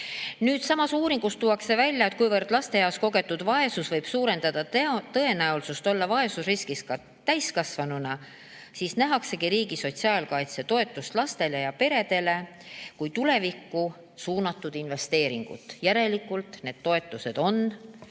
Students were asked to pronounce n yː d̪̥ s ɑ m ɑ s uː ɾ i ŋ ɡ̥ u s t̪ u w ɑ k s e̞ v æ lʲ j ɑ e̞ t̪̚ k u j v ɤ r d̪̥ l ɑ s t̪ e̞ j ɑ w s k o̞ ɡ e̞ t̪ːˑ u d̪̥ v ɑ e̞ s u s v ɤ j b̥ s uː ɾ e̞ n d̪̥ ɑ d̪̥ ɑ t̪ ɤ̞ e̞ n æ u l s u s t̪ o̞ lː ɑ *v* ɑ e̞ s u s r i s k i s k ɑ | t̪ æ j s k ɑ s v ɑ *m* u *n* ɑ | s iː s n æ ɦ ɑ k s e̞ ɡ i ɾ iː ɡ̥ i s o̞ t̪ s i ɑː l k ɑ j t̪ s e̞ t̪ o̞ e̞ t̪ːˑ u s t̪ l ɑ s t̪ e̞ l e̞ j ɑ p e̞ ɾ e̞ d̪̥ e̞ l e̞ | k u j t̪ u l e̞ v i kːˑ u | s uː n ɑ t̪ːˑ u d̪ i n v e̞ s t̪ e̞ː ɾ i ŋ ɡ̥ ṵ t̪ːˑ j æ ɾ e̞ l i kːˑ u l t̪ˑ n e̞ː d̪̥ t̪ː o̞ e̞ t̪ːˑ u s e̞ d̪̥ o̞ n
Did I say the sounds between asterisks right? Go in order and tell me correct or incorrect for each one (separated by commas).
correct, incorrect, correct